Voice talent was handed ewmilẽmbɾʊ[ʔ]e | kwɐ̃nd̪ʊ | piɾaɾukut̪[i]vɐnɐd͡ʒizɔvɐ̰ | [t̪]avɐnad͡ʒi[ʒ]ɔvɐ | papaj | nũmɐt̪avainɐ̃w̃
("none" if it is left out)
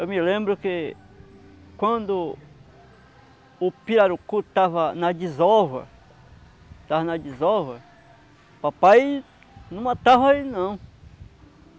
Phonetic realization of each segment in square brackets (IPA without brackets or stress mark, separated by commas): k, a, t̪, z